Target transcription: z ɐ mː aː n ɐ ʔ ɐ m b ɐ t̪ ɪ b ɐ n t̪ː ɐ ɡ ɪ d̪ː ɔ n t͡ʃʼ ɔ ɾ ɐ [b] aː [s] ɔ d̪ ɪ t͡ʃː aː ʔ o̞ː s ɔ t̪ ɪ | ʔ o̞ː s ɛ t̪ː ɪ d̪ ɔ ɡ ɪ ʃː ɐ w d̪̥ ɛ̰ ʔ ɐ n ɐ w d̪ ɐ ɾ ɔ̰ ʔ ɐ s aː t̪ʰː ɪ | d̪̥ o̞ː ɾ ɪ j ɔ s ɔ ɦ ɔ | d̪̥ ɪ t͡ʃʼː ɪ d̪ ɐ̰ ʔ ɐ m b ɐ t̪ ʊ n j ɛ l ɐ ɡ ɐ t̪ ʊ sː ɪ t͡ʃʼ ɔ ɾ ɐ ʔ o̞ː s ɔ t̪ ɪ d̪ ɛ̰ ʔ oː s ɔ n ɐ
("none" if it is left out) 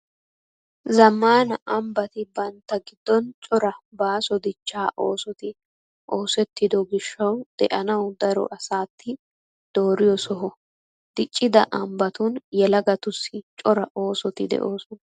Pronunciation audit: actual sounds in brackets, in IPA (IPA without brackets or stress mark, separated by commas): b, s